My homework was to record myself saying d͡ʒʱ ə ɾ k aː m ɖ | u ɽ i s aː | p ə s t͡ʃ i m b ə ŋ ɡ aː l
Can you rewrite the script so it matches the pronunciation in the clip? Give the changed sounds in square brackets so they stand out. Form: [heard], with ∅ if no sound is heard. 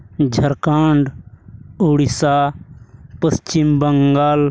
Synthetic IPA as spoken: d͡ʒʱ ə ɾ k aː [ɳ] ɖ | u ɽ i s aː | p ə s t͡ʃ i m b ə ŋ ɡ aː l